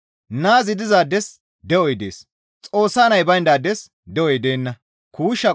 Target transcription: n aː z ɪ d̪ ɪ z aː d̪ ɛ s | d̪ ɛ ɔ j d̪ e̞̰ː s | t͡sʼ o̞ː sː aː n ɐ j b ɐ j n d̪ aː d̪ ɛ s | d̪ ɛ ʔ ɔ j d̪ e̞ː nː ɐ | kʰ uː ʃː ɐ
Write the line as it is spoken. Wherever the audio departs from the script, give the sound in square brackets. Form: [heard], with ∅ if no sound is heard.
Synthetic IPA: n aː z ɪ d̪ ɪ z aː d̪ ɛ s | d̪ ɛ ɔ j d̪ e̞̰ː s | t͡sʼ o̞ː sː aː n ɐ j b ɐ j n d̪ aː d̪ ɛ s | d̪ ɛ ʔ ɔ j d̪ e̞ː nː ɐ | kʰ uː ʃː ɐ